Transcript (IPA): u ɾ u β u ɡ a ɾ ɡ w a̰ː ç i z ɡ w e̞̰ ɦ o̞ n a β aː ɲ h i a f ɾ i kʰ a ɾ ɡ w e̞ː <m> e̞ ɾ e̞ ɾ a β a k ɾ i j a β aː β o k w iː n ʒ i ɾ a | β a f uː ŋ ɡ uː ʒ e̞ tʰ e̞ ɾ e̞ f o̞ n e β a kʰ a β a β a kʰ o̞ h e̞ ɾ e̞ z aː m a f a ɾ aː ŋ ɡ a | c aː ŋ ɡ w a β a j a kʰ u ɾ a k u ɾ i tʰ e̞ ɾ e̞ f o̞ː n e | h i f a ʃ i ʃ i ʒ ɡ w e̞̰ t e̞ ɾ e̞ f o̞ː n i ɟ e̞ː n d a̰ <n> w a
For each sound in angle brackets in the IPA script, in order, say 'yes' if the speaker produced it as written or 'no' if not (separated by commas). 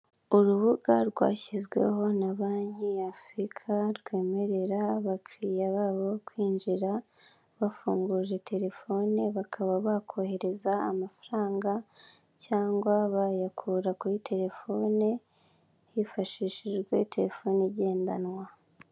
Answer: yes, yes